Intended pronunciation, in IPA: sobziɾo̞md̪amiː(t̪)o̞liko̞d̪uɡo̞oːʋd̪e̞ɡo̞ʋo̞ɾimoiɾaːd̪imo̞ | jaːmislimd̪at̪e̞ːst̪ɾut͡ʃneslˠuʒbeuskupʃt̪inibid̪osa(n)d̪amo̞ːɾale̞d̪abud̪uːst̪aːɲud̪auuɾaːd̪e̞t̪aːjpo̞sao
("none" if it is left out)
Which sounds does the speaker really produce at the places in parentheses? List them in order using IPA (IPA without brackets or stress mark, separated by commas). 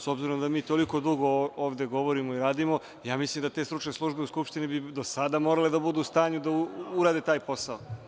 t̪, none